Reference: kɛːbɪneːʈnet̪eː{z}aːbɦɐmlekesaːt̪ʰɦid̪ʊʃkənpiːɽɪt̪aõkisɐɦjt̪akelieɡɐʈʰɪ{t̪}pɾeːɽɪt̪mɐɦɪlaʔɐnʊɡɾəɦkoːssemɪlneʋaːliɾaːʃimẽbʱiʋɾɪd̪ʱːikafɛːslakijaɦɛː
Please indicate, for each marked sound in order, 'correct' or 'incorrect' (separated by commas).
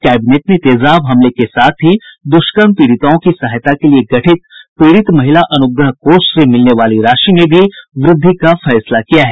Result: correct, correct